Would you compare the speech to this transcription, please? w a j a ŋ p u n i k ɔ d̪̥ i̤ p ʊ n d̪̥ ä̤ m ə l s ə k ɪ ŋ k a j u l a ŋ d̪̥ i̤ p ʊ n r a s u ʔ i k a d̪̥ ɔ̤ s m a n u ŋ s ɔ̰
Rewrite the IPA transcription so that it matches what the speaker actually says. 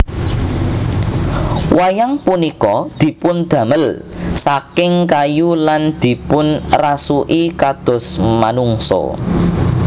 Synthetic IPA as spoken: w a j a ŋ p u n i k ɔ d̪̥ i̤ p ʊ n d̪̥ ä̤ m ə l s a k ɪ ŋ k a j u l a n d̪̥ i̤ p ʊ n r a s u ʔ i k a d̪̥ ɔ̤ s m a n u ŋ s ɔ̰